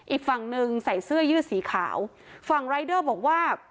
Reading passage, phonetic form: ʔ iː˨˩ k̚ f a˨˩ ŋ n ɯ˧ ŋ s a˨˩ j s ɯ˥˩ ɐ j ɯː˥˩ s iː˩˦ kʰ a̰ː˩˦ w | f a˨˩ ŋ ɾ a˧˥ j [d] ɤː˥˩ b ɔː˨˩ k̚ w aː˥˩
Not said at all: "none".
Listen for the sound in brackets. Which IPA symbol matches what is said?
d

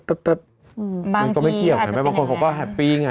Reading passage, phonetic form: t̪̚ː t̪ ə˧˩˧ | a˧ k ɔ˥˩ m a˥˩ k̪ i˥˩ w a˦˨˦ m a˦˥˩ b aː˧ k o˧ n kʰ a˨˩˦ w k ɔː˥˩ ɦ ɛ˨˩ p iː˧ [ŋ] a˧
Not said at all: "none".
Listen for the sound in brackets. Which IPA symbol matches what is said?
ŋ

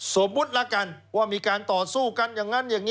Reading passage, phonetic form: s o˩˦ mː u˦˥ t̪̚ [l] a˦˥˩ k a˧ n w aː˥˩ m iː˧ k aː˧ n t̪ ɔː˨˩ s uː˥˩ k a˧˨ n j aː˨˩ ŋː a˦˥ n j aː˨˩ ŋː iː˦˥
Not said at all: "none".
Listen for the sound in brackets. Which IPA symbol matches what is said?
l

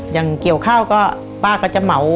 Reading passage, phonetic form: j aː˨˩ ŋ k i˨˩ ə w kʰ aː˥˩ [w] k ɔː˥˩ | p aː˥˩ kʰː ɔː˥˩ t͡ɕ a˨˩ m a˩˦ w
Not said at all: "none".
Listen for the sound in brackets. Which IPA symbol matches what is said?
w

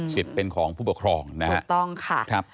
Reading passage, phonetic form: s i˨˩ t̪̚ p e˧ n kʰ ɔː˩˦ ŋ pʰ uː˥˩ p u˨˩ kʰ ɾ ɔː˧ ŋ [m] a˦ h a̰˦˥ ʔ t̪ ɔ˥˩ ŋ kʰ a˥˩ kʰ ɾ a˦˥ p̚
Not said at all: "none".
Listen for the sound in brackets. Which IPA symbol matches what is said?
n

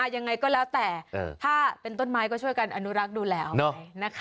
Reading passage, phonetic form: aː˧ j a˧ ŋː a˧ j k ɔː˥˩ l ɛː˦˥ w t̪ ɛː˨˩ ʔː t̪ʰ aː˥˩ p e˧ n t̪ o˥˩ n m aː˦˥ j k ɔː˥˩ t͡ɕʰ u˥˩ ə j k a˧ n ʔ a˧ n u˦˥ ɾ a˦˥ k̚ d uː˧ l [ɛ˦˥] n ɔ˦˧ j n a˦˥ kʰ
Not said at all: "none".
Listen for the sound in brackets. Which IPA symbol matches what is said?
ɛː˦˥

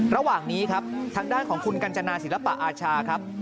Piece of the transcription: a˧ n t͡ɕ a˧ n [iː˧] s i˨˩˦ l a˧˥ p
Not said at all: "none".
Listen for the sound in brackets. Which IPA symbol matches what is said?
aː˧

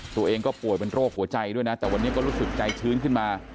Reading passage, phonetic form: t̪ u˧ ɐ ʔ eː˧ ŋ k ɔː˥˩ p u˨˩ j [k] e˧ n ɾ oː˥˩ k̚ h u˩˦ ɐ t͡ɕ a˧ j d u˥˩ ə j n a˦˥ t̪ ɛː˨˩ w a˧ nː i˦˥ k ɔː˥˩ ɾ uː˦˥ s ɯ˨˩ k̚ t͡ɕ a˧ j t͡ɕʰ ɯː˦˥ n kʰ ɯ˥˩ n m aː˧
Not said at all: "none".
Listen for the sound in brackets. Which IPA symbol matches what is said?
p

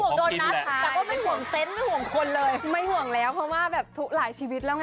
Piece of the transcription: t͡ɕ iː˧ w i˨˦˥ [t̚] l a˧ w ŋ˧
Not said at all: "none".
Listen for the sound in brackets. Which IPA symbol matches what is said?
t̚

